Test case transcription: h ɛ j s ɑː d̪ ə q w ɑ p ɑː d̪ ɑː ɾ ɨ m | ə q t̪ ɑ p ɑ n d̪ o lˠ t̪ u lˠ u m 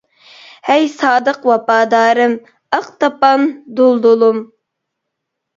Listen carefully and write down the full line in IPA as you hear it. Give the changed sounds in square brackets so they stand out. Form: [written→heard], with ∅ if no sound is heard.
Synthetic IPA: h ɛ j s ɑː d̪ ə q w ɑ p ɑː d̪ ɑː ɾ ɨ m | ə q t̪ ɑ p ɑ n d̪ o lˠ [t̪→d̪] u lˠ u m